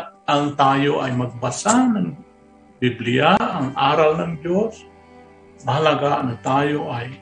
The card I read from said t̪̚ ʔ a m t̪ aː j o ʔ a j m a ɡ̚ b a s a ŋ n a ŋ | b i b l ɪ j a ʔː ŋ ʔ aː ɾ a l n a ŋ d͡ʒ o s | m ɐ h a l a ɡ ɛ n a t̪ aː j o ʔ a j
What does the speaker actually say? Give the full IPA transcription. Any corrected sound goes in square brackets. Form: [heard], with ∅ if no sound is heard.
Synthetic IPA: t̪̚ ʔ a [ŋ] t̪ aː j o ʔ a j m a ɡ̚ b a s a [∅] n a ŋ | b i b l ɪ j a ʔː ŋ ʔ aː ɾ a l n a ŋ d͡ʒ o s | m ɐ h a l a ɡ [a] n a t̪ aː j o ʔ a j